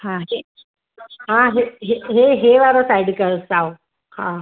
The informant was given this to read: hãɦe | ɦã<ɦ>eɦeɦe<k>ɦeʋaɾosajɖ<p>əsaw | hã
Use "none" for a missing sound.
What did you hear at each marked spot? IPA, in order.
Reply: ɦ, none, k

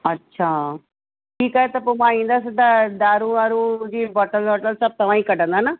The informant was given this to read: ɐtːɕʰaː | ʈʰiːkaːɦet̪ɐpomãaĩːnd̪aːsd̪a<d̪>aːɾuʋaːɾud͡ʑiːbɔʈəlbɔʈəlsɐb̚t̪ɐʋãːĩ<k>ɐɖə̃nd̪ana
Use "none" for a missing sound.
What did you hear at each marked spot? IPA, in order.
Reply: d̪, k

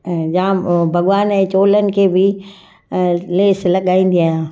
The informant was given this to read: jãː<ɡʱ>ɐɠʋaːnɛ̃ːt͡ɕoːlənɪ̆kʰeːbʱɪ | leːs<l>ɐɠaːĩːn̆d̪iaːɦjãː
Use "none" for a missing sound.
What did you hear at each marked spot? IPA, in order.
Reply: bʱ, l

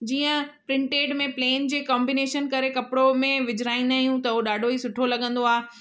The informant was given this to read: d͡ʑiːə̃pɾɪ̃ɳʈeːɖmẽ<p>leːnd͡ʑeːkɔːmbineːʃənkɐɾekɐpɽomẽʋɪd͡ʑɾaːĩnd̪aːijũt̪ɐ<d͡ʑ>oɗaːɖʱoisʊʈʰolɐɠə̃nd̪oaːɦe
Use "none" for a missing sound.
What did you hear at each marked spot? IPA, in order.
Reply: p, none

